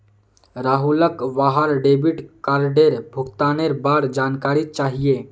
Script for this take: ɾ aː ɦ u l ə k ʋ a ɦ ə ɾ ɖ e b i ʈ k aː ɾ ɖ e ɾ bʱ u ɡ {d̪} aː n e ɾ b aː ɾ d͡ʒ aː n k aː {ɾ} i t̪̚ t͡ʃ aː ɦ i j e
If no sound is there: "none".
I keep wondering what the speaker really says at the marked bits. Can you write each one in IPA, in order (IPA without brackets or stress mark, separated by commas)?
t̪, ɾ